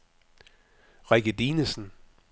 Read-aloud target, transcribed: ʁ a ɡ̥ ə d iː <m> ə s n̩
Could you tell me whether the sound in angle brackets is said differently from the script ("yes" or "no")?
yes